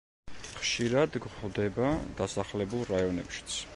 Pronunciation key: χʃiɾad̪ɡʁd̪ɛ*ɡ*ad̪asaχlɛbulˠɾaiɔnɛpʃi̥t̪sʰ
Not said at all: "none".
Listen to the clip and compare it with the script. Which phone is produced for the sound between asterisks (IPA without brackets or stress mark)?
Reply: b